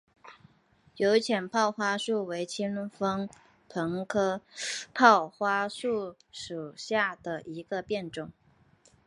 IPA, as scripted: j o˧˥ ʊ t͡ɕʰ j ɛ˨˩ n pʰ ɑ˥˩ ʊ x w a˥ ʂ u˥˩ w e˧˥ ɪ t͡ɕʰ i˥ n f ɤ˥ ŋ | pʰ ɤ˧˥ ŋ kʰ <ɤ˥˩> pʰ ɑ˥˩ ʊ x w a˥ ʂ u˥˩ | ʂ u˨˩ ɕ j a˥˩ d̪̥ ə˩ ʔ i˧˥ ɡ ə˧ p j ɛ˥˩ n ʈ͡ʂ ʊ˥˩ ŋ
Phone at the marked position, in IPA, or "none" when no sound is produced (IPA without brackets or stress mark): ɤ˥